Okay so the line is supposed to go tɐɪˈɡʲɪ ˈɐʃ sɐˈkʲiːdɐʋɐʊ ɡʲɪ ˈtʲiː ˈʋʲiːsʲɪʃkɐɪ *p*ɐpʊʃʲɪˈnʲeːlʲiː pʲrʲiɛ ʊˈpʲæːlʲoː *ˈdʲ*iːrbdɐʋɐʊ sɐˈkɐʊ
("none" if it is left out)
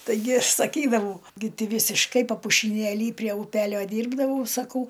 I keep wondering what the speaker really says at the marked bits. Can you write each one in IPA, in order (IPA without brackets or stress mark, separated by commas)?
p, dʲ